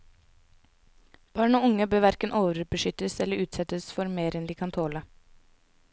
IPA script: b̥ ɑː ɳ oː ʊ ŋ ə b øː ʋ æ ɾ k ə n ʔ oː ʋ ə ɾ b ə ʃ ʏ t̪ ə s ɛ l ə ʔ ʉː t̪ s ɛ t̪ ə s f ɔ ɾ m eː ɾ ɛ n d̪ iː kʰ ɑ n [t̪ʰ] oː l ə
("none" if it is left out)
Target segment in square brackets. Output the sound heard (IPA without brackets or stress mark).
t̪ʰ